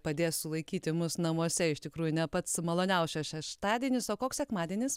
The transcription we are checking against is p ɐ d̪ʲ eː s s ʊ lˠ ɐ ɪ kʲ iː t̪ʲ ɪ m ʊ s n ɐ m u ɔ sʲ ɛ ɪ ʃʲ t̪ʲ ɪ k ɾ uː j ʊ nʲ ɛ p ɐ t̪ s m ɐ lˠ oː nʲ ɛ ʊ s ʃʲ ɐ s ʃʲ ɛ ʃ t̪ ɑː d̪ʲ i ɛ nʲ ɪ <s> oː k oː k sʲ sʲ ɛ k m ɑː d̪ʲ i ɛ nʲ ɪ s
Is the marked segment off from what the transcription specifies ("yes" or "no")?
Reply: no